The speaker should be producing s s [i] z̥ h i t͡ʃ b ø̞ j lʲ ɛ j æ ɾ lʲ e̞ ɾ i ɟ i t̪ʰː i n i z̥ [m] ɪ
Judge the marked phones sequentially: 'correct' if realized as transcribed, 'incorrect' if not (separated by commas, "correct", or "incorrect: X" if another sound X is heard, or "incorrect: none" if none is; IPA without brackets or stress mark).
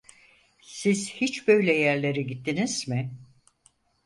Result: correct, correct